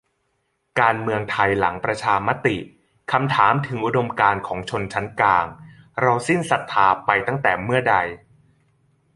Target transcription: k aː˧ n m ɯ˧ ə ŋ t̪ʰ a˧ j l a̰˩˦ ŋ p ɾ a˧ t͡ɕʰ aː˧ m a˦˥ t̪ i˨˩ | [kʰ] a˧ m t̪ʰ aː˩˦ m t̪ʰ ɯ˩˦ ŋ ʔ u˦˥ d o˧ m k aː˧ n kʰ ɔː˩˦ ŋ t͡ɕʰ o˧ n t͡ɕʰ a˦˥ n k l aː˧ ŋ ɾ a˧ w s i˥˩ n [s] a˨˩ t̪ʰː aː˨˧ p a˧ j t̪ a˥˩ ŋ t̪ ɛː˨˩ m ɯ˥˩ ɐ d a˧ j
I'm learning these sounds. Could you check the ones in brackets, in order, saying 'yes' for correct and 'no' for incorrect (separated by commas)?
yes, yes